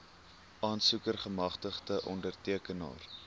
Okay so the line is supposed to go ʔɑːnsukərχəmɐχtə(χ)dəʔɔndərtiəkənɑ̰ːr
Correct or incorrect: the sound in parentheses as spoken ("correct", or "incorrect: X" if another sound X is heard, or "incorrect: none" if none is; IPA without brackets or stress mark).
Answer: correct